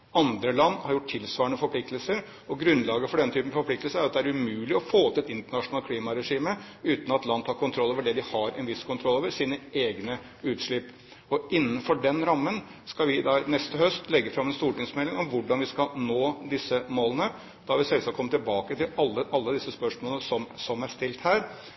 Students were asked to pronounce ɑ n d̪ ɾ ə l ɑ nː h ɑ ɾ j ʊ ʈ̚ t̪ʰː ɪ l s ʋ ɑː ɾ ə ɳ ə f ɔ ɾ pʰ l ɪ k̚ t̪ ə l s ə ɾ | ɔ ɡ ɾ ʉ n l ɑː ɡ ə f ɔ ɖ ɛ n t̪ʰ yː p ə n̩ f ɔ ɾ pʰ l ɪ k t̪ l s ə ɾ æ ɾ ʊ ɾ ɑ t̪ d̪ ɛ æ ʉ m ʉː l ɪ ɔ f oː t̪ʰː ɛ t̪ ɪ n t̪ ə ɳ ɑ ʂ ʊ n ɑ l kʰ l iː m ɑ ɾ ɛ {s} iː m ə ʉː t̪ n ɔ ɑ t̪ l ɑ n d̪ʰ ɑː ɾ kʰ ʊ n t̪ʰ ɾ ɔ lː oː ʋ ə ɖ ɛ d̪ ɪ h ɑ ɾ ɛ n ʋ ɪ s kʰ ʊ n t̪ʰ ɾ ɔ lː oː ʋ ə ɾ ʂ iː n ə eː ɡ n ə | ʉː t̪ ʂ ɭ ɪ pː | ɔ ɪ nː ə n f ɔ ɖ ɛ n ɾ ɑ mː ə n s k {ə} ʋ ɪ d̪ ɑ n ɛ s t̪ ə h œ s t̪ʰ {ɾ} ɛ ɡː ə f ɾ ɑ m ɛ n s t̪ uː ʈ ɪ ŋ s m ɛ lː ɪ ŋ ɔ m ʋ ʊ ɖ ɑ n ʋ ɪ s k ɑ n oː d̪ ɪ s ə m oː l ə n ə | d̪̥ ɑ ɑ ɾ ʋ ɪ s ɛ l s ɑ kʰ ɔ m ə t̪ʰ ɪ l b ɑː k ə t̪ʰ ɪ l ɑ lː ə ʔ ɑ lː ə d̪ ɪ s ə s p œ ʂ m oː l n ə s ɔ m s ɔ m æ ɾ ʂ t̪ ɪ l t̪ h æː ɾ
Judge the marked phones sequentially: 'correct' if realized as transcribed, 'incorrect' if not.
incorrect: ʂ, incorrect: ɑ, incorrect: l

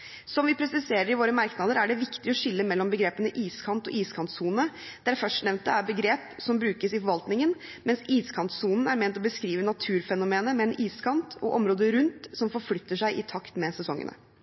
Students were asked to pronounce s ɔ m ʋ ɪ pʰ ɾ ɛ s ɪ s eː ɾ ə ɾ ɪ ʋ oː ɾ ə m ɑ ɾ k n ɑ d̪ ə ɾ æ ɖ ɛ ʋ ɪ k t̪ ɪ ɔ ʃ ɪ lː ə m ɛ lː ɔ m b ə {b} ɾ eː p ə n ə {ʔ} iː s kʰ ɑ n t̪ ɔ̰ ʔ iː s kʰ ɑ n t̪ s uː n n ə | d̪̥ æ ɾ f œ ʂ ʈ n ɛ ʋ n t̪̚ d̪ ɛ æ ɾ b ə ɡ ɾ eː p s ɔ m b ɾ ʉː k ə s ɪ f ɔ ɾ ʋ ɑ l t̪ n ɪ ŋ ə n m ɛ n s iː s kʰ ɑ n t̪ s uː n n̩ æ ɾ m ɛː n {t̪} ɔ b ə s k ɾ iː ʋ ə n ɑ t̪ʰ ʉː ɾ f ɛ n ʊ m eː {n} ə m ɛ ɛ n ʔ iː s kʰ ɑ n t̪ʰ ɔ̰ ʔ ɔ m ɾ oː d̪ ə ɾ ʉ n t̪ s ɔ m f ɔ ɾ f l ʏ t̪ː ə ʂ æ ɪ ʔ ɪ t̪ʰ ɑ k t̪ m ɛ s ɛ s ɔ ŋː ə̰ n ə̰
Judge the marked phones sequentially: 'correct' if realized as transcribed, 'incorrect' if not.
incorrect: ɡ, correct, correct, correct

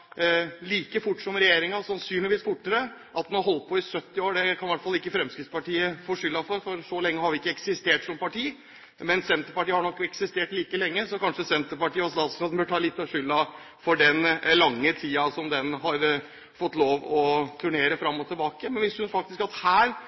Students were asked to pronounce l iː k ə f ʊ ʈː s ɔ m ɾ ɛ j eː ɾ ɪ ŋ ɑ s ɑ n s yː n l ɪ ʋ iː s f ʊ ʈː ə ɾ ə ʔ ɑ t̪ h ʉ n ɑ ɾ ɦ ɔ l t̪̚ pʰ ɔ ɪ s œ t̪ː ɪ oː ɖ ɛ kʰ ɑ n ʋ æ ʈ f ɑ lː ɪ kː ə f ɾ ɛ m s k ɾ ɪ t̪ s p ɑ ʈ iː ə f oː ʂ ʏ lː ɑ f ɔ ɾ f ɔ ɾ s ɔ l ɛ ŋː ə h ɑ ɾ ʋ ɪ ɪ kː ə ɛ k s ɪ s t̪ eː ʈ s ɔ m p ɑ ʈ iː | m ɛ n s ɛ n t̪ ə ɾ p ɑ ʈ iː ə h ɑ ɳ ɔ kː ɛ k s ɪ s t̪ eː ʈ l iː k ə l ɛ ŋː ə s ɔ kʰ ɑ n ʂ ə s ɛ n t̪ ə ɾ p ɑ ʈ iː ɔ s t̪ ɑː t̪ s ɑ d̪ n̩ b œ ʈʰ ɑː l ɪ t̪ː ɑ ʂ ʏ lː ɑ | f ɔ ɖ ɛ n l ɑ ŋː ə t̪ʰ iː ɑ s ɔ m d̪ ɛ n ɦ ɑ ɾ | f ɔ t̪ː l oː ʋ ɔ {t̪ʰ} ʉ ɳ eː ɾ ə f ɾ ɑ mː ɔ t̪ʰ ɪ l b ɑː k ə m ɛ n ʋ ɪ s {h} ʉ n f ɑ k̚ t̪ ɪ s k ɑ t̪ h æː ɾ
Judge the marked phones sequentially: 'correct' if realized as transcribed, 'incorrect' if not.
correct, correct

